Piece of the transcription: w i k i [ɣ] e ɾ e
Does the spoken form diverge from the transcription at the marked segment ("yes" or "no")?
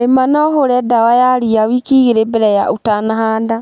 no